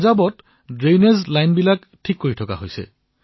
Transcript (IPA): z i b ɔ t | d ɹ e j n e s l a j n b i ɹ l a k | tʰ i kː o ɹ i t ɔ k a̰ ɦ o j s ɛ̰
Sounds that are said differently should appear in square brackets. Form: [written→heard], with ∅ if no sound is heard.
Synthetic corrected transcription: z [i→a] b ɔ t | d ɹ e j n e [s→z] l a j n b i [ɹ→∅] l a k | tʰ i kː o ɹ i [t→tʰ] ɔ k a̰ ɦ o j s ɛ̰